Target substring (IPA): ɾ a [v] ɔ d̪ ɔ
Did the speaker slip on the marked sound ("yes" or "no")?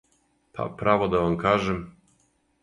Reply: no